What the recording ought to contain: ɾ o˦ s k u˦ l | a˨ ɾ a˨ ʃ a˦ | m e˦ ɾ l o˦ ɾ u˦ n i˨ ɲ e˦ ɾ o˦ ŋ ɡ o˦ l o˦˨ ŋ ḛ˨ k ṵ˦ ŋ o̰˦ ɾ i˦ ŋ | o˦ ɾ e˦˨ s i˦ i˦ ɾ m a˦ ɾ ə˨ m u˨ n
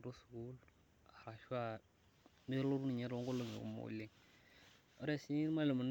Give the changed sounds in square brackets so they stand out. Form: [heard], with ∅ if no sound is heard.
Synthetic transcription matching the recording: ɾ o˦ s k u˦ l | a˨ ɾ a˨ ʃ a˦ | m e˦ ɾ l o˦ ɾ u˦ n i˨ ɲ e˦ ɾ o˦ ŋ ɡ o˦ l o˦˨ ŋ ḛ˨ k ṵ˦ [m] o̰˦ [l] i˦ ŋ | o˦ ɾ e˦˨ s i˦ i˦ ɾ m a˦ [l] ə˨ m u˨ n